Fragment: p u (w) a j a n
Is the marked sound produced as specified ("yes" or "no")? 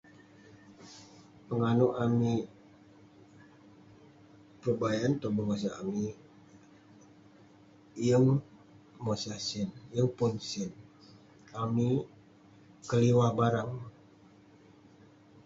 no